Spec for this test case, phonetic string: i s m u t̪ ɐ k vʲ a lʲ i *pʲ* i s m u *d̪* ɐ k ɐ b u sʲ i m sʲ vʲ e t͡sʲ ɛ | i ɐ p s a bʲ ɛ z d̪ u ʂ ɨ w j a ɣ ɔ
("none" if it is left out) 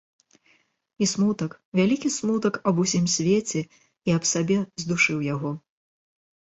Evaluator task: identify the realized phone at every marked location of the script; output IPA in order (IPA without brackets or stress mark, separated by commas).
kʲ, t̪